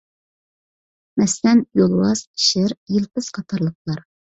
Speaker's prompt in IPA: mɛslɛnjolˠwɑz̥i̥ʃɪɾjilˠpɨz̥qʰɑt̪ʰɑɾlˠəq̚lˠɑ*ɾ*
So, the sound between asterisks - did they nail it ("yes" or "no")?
yes